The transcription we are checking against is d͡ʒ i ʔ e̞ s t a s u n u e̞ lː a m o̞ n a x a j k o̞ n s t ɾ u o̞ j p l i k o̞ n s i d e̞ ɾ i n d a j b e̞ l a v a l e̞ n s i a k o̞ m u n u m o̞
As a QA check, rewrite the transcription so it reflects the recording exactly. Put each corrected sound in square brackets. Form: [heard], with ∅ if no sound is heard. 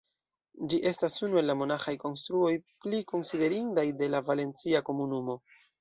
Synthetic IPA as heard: d͡ʒ i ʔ e̞ s t a s u n u e̞ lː a m o̞ n a x a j k o̞ n s t ɾ u o̞ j p l i k o̞ n s i d e̞ ɾ i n d a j [d] e̞ l a v a l e̞ n [t͡s] i a k o̞ m u n u m o̞